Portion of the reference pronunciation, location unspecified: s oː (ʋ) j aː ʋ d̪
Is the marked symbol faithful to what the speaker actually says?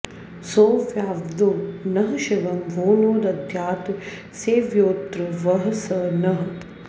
yes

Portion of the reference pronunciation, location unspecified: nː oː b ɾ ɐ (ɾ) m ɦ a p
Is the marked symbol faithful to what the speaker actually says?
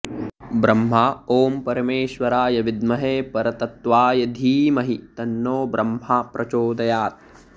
no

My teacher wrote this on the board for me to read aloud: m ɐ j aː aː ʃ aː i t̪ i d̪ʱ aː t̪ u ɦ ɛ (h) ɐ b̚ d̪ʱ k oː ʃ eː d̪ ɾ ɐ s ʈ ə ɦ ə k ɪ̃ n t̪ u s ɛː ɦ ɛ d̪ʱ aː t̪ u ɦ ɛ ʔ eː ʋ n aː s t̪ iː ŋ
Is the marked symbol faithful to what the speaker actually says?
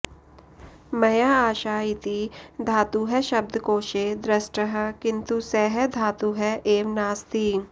no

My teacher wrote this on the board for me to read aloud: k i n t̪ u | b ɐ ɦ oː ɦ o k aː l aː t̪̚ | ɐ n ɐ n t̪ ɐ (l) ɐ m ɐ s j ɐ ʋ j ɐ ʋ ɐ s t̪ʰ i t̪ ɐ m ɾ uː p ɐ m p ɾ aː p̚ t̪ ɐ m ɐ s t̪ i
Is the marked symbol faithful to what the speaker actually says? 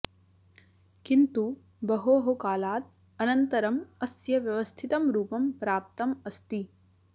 no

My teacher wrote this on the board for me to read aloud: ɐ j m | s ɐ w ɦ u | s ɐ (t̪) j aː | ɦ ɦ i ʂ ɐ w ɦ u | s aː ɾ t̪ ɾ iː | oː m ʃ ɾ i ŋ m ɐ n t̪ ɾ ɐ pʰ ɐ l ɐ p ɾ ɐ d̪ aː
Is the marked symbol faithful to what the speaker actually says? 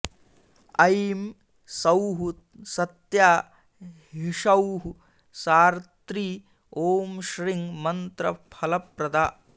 yes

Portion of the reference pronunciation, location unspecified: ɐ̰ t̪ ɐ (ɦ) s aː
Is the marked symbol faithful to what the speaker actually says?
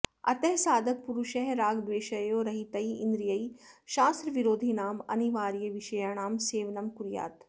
yes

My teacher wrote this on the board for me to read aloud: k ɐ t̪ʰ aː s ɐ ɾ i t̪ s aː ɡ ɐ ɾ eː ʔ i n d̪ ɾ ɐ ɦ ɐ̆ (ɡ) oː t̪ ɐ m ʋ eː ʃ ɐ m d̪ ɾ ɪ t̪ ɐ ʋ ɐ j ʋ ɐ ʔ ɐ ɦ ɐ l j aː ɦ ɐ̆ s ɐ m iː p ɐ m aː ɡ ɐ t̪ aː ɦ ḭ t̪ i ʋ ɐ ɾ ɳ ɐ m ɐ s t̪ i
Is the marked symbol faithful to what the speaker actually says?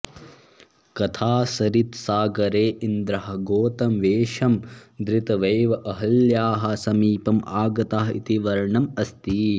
yes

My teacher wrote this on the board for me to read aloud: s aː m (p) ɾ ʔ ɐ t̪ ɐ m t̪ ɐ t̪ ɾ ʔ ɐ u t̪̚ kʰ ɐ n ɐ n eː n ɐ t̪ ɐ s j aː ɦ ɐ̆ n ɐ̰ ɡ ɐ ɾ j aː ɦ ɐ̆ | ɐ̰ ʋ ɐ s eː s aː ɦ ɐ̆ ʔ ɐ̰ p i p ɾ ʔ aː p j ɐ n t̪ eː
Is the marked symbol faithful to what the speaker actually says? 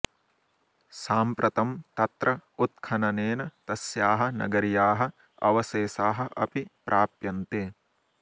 yes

